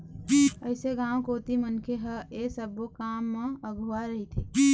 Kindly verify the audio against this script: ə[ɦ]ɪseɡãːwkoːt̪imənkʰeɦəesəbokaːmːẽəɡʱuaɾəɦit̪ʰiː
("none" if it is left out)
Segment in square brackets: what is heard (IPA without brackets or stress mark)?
none